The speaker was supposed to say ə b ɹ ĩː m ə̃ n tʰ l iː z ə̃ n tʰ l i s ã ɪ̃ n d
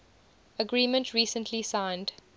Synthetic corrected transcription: ə ɡ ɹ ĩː m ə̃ n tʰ ɹ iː s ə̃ n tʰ l i s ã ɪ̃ n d